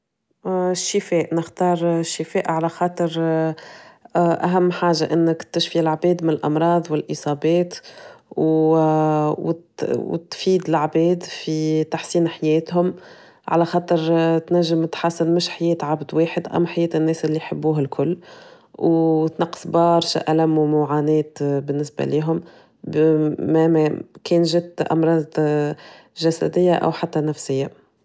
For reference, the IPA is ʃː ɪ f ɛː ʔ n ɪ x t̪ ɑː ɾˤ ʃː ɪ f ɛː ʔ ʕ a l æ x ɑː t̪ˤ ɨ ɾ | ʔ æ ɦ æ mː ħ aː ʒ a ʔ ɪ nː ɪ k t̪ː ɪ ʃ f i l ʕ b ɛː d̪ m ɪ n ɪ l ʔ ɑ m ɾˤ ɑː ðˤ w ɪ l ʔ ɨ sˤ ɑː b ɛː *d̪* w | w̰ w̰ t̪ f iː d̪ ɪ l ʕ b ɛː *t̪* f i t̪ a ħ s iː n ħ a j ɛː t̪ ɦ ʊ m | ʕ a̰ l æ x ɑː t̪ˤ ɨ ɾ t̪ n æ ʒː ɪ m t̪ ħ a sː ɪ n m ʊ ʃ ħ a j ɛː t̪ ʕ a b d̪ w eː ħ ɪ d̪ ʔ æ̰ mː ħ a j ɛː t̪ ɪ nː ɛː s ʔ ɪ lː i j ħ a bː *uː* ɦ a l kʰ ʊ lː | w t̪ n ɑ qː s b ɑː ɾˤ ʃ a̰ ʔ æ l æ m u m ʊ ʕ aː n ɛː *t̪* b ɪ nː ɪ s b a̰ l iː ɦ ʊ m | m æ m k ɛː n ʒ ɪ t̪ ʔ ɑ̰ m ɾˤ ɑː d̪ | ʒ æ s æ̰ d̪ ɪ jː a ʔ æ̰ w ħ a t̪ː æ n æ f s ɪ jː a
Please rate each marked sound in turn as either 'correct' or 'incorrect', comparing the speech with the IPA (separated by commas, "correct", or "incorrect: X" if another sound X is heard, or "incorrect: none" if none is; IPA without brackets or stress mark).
incorrect: t̪, incorrect: d̪, correct, correct